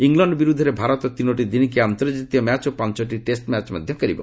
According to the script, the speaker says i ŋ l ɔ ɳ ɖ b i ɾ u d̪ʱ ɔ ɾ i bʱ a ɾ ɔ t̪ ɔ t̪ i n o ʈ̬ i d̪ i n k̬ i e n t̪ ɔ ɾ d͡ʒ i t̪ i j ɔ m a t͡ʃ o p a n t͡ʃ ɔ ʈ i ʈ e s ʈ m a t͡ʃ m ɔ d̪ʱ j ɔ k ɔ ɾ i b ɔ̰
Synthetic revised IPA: i ŋ l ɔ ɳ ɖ b i ɾ u d̪ʱ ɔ ɾ e bʱ a ɾ ɔ t̪ ɔ t̪ i n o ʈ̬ i d̪ i n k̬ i a n t̪ ɔ ɾ d͡ʒ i t̪ i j ɔ m a t͡ʃ o p a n t͡ʃ ɔ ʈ i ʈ e s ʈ m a t͡ʃ m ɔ d̪ʱ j ɔ k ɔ ɾ i b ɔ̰